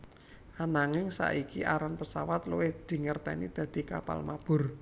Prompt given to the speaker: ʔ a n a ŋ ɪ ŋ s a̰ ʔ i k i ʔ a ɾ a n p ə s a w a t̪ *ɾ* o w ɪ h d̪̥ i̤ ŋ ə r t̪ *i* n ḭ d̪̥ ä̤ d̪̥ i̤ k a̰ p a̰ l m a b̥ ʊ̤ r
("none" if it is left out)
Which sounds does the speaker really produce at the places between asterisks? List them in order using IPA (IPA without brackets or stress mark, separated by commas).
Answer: l, ɛ